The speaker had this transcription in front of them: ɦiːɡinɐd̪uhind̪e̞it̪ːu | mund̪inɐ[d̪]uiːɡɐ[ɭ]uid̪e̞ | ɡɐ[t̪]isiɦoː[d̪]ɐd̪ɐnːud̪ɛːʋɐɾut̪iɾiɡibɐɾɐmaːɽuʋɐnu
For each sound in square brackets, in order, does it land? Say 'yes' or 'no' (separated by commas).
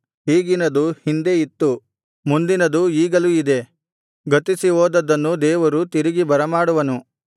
yes, no, yes, yes